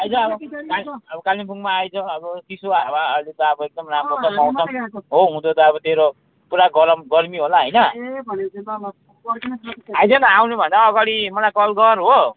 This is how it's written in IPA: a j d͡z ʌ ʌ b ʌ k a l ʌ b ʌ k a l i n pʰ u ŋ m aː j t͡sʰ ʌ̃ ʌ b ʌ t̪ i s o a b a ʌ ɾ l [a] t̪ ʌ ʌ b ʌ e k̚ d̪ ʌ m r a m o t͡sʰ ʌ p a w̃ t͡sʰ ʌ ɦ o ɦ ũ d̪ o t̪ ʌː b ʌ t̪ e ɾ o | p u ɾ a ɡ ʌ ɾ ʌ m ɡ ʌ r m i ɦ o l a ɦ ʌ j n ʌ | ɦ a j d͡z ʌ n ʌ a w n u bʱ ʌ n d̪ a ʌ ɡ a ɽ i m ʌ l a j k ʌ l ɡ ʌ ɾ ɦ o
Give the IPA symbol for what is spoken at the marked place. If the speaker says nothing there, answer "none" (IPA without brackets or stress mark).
e